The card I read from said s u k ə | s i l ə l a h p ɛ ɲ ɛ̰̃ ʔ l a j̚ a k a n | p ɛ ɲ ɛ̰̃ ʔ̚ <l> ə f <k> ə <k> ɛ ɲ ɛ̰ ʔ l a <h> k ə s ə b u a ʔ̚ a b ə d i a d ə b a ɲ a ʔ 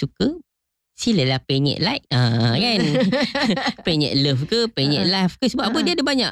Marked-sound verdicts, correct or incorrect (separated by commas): correct, correct, incorrect, incorrect